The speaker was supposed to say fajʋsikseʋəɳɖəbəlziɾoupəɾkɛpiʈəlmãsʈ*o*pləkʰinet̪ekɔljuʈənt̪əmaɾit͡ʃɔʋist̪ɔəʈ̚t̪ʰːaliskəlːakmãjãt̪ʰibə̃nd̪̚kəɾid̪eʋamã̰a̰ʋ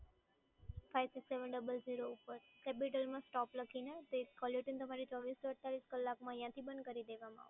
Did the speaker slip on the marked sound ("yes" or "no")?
yes